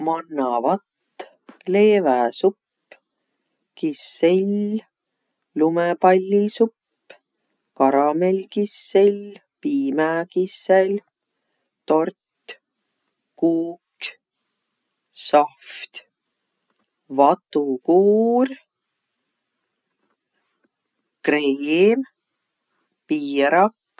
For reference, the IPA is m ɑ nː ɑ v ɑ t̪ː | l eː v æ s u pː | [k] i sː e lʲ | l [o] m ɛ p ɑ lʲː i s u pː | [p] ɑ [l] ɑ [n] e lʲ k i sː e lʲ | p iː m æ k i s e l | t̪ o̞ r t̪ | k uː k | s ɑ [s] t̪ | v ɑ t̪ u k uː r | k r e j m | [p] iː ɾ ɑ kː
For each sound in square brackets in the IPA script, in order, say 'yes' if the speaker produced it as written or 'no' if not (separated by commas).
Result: yes, no, no, no, no, no, yes